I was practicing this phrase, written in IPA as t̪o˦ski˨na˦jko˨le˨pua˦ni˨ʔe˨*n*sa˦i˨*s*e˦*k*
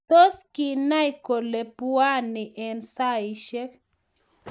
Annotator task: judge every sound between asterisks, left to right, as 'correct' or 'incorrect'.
correct, incorrect, correct

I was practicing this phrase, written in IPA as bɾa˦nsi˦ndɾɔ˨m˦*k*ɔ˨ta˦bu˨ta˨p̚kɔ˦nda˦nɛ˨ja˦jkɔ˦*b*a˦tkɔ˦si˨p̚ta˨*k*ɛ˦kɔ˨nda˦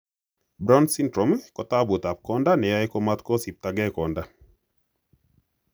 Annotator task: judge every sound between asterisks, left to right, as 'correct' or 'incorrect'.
correct, incorrect, incorrect

